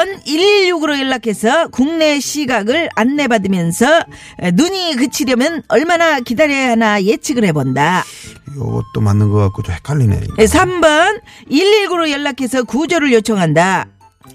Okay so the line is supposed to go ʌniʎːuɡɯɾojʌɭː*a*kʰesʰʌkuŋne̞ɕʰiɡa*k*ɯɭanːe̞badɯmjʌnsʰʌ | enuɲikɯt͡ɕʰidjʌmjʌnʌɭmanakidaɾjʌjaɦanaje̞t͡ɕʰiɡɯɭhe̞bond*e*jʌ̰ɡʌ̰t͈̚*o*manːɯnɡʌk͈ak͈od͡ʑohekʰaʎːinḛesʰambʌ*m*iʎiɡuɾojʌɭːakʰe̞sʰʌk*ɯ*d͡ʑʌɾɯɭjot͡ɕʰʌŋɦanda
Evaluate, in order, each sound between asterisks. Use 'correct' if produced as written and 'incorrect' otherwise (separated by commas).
correct, incorrect, incorrect, correct, incorrect, incorrect